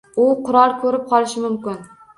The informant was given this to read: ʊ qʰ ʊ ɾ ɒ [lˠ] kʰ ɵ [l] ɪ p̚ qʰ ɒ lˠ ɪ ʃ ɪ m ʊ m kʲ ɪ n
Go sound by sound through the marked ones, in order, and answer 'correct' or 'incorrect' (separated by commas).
correct, incorrect